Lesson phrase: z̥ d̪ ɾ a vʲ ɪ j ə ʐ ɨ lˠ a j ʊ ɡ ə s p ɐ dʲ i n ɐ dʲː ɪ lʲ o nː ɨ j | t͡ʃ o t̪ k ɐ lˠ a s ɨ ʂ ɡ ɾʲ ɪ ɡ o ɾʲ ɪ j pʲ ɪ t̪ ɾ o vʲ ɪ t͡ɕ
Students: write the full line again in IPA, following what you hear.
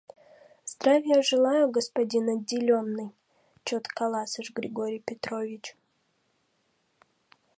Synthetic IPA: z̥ d̪ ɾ a vʲ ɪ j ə ʐ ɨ lˠ a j ʊ ɡ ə s p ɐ dʲ i n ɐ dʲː ɪ lʲ o nː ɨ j | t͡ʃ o t̪ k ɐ lˠ a s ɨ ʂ ɡ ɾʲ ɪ ɡ o ɾʲ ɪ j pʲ ɪ t̪ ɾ o vʲ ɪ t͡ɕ